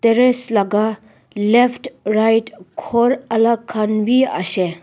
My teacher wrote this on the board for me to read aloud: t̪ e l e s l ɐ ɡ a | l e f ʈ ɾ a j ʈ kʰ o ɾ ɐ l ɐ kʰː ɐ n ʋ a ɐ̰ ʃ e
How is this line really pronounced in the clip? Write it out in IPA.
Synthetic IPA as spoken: t̪ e ɾ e s l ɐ ɡ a | l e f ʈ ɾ a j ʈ kʰ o ɾ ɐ l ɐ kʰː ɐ n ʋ i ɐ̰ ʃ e